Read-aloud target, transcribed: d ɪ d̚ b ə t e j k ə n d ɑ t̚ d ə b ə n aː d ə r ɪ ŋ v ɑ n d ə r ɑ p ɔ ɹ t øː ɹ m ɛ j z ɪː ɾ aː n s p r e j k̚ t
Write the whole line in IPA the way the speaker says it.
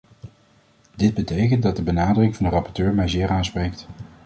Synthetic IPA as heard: d ɪ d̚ b ə t e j k ə n d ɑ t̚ d ə b ə n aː d ə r ɪ ŋ v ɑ n d ə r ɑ p ɔ ɹ t øː ɹ m ɛ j z ɪː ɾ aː n s p r e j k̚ t